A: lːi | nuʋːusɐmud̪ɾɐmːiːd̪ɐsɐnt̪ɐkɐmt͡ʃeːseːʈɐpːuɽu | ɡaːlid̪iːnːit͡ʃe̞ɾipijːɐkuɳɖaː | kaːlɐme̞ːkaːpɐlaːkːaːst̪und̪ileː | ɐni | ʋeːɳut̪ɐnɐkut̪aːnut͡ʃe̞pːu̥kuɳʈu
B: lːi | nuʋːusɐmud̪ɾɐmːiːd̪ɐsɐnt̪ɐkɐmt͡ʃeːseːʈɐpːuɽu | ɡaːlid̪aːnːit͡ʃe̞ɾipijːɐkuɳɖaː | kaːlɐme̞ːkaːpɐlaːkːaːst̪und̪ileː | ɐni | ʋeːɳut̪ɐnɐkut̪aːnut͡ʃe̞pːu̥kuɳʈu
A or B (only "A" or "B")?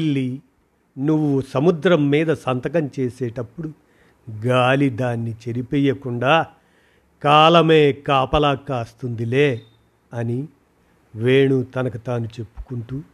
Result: B